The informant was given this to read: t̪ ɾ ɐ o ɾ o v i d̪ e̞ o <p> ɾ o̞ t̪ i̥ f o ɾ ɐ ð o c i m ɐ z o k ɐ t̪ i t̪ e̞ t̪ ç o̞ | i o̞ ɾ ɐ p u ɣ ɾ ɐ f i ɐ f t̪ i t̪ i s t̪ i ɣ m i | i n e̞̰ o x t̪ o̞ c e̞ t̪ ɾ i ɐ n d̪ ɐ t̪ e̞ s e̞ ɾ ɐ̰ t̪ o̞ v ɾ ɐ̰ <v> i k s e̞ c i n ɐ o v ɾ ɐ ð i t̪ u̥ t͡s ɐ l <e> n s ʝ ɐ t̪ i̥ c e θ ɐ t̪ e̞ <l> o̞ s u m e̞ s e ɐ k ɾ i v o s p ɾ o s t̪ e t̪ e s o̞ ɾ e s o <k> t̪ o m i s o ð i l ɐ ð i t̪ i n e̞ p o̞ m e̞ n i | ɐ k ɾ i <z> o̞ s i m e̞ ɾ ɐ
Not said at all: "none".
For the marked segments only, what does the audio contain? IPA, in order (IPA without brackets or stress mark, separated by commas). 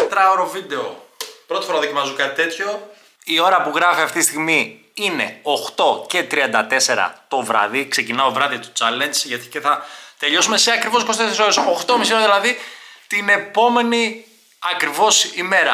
p, ð, e, ʎ, x, v